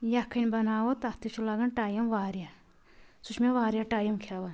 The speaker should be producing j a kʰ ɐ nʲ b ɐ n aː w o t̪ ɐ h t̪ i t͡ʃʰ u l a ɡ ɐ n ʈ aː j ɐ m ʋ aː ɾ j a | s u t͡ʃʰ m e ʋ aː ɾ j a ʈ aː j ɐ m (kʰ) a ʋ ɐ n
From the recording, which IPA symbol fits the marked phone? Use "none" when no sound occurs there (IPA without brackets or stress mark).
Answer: kʰ